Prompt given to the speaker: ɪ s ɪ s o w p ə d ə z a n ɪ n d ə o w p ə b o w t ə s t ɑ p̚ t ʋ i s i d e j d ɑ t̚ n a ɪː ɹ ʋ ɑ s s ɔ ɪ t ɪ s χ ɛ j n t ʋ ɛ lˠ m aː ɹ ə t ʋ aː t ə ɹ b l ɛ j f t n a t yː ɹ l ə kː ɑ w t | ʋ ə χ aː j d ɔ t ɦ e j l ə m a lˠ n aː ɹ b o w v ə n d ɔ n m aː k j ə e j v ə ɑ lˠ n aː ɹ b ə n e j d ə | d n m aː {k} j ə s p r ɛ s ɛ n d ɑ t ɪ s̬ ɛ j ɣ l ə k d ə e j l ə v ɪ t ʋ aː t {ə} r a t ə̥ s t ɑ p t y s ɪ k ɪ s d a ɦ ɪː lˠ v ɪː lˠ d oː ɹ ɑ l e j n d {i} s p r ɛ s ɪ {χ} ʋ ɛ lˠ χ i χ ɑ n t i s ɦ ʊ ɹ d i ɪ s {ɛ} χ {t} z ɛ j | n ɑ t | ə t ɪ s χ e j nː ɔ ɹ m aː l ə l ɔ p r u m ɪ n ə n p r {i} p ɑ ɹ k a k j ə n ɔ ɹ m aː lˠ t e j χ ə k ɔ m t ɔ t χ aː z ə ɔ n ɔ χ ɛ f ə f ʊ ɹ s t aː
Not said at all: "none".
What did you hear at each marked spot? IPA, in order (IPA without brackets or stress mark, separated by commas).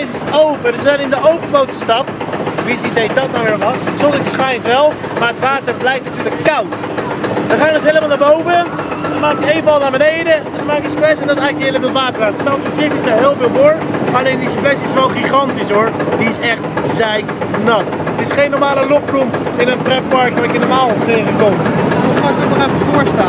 k, ə, i, s, ɛ, t, ɛ